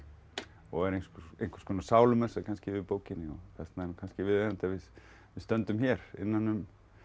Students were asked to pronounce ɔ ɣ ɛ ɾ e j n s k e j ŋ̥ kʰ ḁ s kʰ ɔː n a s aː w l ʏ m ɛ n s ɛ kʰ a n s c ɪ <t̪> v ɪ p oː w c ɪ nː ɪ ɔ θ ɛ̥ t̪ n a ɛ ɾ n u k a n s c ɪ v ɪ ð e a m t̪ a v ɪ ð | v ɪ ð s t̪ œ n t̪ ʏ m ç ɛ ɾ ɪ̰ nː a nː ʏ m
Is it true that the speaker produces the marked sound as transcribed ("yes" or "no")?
no